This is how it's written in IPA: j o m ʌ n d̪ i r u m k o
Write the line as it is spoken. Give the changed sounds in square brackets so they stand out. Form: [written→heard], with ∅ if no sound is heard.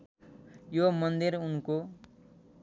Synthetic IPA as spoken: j o m ʌ n d̪ i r u [m→n] k o